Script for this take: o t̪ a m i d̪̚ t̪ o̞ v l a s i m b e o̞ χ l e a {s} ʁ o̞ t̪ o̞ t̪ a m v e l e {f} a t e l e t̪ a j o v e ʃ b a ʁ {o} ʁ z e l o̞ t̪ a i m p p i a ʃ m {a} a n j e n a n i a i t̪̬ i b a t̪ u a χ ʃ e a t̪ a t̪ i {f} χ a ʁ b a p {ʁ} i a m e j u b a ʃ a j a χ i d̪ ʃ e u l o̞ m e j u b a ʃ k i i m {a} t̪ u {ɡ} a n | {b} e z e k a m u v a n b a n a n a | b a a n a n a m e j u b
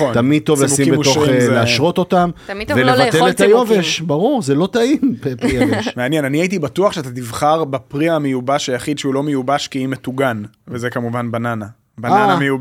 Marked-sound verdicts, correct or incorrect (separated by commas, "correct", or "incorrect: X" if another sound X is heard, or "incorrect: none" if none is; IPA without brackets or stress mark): incorrect: ʃ, incorrect: v, incorrect: u, incorrect: e, incorrect: v, correct, incorrect: e, correct, incorrect: v